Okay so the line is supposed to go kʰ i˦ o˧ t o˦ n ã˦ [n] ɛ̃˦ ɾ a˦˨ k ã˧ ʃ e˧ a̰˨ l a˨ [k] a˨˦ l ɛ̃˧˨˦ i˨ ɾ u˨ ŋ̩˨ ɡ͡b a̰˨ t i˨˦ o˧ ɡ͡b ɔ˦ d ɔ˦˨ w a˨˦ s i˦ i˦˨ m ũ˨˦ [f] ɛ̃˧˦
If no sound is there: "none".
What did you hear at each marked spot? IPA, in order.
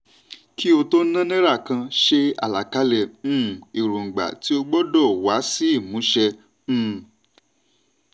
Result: n, k, ʃ

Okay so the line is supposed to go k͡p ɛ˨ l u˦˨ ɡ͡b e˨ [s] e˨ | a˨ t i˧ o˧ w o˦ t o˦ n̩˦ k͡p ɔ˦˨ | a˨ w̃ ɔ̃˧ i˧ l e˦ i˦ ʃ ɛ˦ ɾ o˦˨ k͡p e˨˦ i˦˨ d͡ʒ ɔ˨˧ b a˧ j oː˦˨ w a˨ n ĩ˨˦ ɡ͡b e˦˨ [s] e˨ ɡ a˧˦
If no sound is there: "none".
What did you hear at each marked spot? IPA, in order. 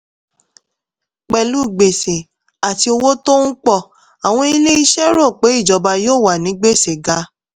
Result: s, s

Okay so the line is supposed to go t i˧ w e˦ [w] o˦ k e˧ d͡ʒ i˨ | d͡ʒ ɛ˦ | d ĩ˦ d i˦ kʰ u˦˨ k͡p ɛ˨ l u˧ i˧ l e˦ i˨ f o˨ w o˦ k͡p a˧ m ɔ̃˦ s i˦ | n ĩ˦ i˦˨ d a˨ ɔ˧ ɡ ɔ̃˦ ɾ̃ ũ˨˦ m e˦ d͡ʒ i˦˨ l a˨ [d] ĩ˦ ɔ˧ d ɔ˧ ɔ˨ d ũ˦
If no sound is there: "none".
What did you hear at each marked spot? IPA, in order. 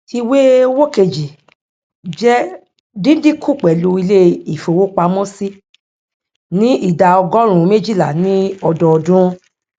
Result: w, n

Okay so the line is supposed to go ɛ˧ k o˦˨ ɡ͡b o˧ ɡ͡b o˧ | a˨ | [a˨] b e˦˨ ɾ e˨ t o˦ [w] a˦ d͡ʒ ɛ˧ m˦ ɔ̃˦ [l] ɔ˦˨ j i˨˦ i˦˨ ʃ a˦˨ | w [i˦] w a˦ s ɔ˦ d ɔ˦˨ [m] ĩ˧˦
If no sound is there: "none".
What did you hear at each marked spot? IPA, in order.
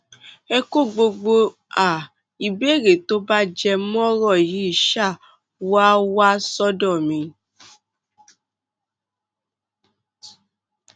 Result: i˨, b, ɾ, a˦, m

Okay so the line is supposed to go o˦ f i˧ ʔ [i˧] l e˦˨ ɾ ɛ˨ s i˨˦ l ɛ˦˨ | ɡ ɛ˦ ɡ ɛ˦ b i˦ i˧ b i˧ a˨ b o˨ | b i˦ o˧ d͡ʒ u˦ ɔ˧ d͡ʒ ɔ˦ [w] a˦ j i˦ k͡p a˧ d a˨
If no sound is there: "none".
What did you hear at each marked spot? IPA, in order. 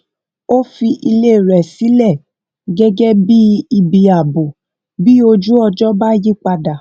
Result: i˧, b

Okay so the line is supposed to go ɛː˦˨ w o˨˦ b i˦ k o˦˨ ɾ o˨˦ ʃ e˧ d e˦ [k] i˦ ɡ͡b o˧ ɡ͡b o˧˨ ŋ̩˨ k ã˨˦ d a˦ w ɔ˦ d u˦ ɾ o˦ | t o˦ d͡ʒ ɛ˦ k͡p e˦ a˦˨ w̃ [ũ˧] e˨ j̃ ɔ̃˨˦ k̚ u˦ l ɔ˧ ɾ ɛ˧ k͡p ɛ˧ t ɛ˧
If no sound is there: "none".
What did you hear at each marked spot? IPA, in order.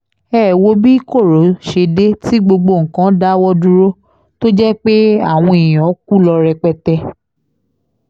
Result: t, ɔ̃˧

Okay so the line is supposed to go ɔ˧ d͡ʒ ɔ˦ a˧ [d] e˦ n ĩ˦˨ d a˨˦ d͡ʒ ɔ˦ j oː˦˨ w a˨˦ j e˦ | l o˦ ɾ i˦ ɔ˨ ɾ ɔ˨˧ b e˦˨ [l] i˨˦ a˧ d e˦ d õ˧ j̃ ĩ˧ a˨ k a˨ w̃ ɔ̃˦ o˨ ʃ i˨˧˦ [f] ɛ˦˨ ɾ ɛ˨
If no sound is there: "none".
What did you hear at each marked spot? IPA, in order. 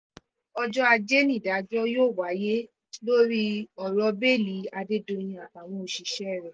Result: d͡ʒ, l, ʃ

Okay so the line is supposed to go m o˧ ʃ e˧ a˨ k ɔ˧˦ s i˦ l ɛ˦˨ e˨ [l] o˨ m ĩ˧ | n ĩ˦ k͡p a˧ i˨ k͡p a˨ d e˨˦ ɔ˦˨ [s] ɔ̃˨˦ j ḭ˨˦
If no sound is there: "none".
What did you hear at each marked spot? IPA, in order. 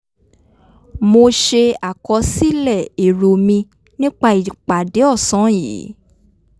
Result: ɾ, s

